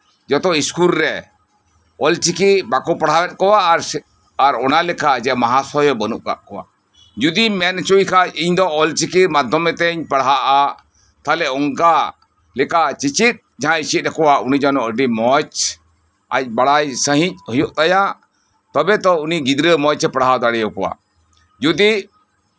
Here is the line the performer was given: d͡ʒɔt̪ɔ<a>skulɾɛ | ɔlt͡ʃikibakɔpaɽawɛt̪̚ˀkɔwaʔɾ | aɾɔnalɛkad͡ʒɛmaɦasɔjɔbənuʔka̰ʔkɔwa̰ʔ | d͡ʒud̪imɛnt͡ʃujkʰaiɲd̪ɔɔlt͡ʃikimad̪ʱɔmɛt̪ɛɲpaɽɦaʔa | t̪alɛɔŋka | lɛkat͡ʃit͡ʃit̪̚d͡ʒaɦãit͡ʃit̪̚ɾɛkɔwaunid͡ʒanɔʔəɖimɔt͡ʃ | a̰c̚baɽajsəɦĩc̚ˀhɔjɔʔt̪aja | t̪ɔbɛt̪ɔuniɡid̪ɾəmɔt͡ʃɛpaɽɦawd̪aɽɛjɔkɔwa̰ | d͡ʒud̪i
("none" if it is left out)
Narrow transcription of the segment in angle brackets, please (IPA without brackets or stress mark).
i